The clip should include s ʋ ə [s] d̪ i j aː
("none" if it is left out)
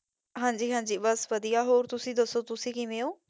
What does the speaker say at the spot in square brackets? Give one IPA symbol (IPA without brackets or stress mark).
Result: none